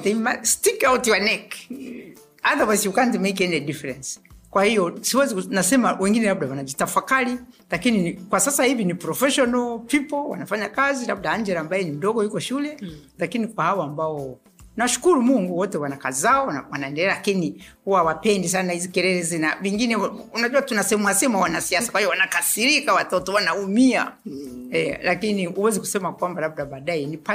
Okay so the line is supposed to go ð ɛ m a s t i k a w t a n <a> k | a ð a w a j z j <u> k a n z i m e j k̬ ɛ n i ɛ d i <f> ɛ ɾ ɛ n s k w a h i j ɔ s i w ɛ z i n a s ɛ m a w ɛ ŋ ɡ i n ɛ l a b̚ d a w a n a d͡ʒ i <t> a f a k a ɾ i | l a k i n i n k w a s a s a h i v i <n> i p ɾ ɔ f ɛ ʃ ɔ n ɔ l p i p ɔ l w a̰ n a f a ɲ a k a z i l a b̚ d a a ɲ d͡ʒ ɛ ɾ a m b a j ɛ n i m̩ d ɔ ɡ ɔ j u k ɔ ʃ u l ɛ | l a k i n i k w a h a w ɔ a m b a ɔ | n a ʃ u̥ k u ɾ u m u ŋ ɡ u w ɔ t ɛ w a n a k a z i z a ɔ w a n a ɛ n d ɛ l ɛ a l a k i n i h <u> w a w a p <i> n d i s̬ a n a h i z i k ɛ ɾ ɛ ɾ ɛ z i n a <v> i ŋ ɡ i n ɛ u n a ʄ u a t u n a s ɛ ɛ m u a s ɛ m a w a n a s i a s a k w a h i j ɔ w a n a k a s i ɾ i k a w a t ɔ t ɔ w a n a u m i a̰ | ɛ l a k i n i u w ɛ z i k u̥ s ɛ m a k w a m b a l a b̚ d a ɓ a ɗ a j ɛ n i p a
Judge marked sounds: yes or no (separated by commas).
no, yes, yes, yes, yes, yes, no, yes